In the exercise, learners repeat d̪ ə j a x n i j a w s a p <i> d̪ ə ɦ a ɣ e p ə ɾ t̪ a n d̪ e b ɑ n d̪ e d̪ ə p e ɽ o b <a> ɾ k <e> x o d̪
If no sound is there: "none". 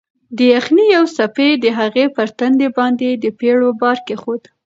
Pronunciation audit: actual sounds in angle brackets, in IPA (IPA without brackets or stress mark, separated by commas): e, ɑ, e